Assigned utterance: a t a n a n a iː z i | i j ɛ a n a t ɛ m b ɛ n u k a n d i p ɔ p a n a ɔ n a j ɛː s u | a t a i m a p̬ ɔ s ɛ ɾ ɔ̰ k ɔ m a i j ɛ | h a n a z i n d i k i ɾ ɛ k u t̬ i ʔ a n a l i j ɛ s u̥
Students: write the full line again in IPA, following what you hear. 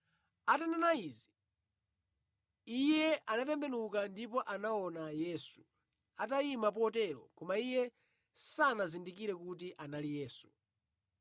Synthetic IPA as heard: a t a n a n a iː z i | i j ɛ a n a t ɛ m b ɛ n u k a n d i p ɔ ʔ a n a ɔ n a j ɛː s u | a t a i m a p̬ ɔ t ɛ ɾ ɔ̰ k ɔ m a i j ɛ | s a n a z i n d i k i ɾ ɛ k u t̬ i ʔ a n a l i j ɛː s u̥